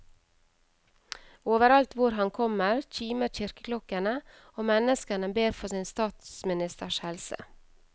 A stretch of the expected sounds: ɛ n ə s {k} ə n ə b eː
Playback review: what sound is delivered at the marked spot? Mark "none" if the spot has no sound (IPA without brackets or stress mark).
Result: k